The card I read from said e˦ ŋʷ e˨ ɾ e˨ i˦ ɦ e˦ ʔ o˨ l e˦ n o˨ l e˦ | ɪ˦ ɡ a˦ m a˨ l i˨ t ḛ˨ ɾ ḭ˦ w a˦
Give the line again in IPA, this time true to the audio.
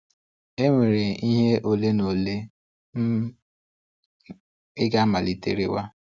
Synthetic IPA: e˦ ŋʷ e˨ ɾ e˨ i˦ ɦ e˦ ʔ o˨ l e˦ n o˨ l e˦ | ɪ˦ ɡ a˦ m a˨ l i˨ t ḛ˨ ɾ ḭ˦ w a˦